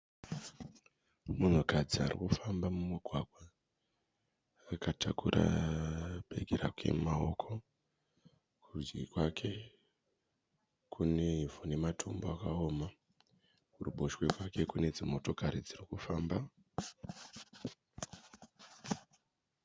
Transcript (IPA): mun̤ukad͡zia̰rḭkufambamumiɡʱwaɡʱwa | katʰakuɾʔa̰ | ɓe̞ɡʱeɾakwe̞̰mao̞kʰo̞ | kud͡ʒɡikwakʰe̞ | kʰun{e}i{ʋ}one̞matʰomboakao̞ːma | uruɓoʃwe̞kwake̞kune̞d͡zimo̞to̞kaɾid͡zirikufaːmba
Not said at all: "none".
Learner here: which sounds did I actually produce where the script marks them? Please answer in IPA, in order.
e, v

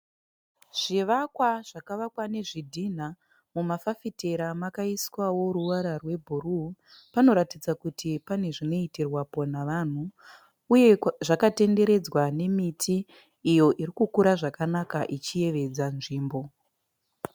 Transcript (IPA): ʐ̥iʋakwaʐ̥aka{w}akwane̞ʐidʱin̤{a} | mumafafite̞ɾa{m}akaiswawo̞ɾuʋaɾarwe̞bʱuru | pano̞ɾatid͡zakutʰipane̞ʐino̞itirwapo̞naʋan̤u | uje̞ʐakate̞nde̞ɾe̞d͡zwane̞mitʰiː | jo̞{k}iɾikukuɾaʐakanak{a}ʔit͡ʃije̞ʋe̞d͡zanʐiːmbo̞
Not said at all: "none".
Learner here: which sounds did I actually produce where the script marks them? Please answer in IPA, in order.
ʋ, a, m, ʔ, a

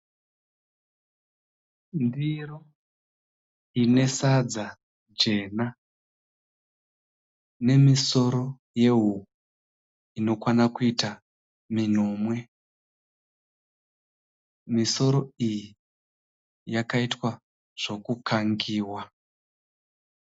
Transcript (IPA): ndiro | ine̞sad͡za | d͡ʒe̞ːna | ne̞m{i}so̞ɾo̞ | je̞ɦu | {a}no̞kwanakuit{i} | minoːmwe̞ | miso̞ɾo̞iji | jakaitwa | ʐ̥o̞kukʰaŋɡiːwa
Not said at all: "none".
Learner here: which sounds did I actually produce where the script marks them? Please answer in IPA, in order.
i, i, a

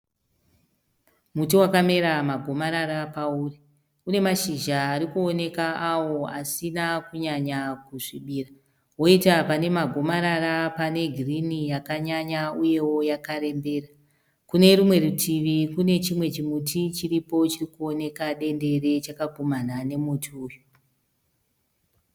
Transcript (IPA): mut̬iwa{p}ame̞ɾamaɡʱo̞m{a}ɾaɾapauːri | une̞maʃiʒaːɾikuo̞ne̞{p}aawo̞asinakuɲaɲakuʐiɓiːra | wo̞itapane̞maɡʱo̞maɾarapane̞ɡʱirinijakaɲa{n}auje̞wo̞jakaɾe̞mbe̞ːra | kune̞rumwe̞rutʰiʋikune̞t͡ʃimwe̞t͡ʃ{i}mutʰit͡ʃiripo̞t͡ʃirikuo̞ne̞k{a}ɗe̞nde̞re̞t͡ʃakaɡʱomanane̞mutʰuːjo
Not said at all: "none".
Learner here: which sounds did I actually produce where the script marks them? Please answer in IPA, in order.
k, a, k, ɲ, i, a

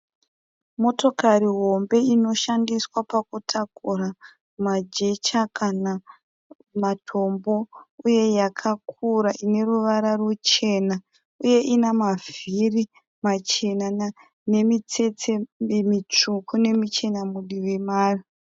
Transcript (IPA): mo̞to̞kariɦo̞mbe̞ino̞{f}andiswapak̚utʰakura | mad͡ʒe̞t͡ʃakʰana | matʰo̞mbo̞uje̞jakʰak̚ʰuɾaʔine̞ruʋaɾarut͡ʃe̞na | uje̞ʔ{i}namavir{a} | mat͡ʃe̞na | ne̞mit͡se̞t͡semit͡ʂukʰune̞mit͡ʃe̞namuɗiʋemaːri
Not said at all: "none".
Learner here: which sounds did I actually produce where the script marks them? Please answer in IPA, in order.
ʃ, i, i

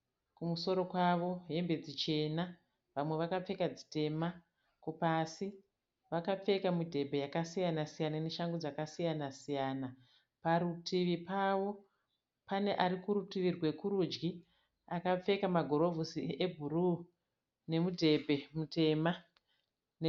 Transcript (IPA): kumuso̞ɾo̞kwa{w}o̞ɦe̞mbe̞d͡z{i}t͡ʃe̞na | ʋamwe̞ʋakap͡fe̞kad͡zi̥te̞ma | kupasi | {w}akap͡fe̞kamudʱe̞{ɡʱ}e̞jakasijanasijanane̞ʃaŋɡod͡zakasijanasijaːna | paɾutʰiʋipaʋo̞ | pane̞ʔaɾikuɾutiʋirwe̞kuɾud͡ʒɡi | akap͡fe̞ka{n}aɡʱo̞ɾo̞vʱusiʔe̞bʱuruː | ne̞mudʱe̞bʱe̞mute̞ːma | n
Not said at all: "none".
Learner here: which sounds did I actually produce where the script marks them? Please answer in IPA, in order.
ʋ, i, ʋ, bʱ, m

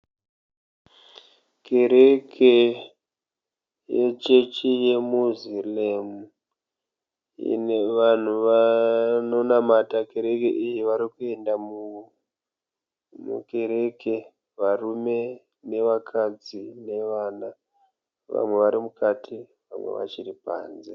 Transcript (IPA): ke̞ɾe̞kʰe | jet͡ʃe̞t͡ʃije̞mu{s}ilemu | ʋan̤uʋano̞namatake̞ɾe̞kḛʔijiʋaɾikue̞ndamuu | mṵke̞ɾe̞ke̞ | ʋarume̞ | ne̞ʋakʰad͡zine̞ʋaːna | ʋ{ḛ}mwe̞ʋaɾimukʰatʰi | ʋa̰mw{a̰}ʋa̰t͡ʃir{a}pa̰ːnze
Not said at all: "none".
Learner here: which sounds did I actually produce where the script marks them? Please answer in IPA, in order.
z, a̰, ḛ, i

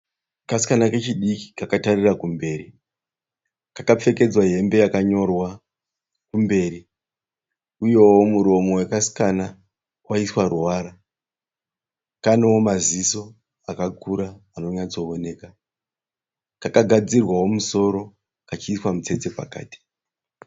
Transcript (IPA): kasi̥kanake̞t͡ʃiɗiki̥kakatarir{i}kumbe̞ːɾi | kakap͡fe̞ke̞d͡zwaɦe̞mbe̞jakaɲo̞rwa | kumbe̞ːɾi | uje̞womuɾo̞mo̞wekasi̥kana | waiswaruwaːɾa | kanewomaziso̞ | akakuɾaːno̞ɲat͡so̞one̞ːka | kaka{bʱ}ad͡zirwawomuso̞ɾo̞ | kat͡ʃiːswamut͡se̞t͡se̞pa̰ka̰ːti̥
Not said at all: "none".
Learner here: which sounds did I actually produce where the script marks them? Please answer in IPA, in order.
a, ɡʱ

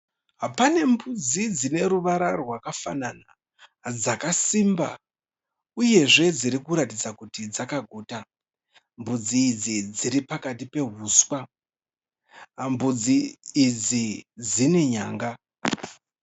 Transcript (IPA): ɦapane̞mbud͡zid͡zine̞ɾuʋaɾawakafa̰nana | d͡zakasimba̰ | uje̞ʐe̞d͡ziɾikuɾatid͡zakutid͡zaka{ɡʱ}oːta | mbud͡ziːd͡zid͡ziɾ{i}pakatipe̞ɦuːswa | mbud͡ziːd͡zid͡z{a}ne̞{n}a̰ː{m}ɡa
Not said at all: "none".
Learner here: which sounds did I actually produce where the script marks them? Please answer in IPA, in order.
ɡʱ, i, i, ɲ, ŋ

